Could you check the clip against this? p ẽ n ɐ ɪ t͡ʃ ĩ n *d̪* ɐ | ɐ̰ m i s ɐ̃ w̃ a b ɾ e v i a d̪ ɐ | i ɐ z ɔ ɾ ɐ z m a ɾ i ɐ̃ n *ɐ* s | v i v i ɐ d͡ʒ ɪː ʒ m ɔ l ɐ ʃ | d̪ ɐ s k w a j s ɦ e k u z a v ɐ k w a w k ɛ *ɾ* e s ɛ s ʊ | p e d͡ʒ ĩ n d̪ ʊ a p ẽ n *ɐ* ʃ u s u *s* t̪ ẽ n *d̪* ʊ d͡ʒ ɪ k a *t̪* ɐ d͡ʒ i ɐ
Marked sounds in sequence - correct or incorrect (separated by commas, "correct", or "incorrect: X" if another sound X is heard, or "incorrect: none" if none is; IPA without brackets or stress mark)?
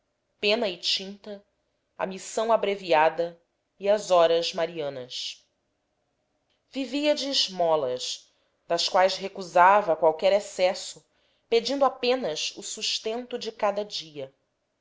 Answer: incorrect: t̪, correct, correct, correct, incorrect: ʃ, incorrect: t̪, incorrect: d̪